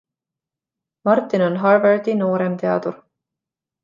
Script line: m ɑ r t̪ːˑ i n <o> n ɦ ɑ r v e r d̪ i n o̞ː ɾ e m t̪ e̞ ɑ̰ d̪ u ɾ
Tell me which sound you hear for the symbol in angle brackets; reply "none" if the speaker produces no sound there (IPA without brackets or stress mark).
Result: o